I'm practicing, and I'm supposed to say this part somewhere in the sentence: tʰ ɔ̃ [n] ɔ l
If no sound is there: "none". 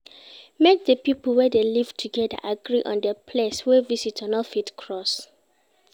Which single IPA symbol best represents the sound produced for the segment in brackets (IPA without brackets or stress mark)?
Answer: n